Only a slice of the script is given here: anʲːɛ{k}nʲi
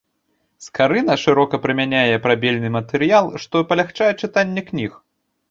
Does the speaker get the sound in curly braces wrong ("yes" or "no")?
no